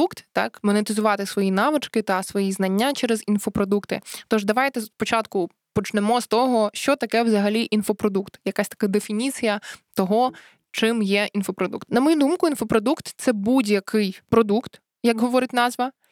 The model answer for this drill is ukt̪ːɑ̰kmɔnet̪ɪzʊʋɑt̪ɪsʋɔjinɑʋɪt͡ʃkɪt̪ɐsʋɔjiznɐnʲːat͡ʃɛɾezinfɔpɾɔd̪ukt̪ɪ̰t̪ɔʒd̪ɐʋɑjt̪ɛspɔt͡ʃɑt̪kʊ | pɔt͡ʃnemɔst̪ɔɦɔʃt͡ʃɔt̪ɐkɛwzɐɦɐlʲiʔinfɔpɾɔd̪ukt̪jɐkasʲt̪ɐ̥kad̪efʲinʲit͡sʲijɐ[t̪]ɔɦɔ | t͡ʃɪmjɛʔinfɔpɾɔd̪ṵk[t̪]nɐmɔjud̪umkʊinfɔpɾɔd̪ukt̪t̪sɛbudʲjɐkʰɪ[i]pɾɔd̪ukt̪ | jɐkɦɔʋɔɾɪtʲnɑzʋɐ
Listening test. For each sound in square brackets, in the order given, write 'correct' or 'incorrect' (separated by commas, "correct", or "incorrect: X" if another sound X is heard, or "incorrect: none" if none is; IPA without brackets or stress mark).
correct, correct, incorrect: j